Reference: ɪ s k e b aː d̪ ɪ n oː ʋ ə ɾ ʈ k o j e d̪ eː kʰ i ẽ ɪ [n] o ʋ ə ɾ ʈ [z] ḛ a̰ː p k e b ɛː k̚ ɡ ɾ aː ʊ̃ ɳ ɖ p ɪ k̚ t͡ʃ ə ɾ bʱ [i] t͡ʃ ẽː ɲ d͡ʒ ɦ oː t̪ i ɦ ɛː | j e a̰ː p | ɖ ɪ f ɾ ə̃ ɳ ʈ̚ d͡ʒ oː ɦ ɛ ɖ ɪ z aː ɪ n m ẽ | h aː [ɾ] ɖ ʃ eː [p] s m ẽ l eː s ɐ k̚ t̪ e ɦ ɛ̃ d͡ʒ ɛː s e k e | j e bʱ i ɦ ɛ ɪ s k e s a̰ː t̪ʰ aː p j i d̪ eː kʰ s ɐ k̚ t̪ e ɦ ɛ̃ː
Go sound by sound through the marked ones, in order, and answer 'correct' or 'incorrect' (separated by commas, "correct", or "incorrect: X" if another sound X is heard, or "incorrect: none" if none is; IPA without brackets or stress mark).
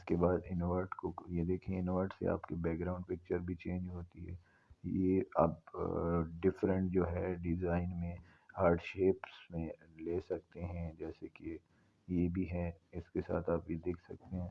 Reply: correct, incorrect: s, correct, correct, correct